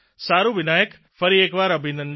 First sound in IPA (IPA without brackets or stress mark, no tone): s